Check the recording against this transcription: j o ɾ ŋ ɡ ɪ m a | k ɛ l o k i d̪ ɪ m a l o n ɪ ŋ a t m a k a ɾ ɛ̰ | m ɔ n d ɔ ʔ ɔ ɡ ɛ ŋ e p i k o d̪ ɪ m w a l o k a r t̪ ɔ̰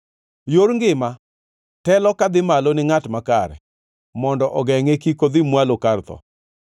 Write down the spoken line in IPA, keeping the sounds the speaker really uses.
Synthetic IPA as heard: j o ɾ ŋ ɡ ɪ m a | t ɛ l ɔ k a d̪ ɪ m a l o n ɪ ŋ a t m a k a ɾ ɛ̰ | m ɔ n d ɔ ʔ ɔ ɡ ɛ ŋ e k i k o d̪ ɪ m w a l o k a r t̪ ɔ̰